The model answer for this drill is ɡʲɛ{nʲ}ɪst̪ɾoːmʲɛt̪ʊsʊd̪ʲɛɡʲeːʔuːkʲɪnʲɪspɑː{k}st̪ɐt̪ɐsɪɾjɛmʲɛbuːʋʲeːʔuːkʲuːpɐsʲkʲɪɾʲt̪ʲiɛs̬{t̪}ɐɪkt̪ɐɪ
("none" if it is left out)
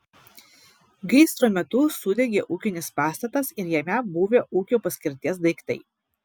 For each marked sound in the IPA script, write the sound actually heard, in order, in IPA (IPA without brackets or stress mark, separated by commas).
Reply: none, none, d̪